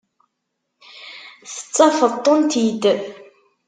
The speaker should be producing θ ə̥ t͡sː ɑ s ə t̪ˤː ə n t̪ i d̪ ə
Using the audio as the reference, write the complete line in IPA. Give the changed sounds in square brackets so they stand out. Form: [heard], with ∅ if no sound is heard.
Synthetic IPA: θ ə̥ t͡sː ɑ [f] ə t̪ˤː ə n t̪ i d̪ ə